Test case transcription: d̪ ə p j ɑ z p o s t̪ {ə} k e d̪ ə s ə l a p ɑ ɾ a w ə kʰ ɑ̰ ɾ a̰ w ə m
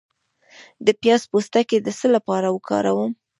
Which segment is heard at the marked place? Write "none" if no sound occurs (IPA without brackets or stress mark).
a